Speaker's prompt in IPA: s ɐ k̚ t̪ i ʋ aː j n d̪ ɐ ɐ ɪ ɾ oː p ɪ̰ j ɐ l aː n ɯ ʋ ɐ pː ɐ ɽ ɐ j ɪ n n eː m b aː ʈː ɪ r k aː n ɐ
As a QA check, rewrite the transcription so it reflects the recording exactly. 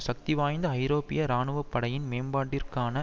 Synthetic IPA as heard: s ɐ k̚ t̪ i ʋ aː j n d̪ ɐ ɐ ɪ ɾ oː p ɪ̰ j ɐ ɾ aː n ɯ ʋ ɐ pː ɐ ɽ ɐ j ɪ n m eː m b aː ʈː ɪ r k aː n ɐ